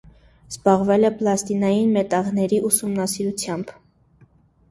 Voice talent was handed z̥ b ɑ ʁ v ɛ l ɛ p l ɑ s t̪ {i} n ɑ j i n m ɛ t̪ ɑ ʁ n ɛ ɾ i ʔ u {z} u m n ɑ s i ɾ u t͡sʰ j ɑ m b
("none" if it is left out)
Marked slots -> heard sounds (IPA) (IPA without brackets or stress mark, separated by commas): i, s